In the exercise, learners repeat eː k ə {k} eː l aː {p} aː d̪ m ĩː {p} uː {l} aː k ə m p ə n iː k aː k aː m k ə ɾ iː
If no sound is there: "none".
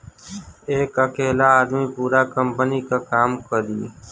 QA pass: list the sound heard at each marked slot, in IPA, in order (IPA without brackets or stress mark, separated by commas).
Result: k, none, p, ɾ